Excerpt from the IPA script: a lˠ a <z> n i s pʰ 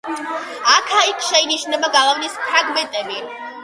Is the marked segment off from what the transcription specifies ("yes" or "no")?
yes